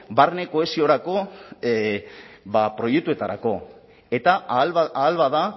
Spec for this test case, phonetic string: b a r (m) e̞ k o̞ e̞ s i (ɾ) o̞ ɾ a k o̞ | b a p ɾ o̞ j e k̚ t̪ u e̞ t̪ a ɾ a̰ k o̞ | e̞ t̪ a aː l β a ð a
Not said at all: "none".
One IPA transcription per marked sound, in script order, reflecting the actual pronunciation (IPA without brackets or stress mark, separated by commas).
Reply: n, none